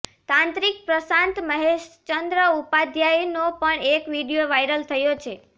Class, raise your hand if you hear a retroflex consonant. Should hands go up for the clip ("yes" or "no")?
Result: yes